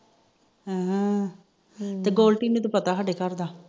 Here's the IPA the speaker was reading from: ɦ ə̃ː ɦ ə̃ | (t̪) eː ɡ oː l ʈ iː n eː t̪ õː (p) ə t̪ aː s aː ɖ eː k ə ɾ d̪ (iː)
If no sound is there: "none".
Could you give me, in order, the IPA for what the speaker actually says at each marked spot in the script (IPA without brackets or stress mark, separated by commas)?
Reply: t̪, p, aː